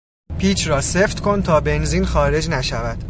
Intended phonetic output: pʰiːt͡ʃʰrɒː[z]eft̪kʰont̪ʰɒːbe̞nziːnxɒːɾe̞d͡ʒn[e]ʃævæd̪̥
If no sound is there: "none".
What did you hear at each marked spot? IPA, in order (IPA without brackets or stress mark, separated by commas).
s, æ